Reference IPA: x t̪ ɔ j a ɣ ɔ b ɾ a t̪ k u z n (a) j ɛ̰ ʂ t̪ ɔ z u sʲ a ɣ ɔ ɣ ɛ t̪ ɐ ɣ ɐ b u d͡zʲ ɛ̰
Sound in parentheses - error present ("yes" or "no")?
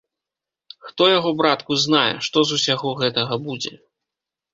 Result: no